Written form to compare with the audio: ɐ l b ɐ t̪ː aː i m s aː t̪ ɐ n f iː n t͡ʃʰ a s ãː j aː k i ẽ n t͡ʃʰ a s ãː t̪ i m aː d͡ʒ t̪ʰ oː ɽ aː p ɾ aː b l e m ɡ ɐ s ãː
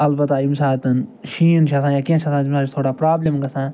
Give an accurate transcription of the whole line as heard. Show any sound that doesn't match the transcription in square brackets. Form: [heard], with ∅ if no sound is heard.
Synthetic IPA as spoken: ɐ l b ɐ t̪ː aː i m s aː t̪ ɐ n [ʃ] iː n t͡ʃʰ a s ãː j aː k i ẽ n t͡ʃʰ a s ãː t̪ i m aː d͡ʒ t̪ʰ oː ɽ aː p ɾ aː b l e m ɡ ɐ s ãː